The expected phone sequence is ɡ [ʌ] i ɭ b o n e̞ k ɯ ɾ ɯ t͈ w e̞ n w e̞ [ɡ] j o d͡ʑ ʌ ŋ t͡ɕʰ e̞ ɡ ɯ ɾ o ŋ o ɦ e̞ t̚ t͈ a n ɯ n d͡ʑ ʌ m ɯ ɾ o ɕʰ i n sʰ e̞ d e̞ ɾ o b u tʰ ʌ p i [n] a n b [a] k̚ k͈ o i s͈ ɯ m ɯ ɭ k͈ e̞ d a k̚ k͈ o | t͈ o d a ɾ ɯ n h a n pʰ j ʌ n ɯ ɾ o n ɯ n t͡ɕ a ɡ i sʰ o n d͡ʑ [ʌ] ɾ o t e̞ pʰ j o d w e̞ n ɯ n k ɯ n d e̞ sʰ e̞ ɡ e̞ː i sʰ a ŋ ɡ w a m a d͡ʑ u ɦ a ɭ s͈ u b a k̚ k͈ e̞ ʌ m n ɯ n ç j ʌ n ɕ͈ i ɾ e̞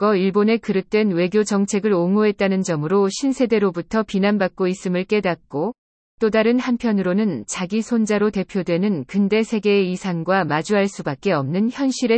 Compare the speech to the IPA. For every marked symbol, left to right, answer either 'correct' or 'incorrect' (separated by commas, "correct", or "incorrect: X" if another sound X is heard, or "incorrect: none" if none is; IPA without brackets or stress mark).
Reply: correct, correct, correct, correct, incorrect: a